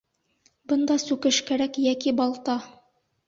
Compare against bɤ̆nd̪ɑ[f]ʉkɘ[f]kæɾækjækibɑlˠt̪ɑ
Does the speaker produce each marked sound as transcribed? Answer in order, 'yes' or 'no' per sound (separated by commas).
no, no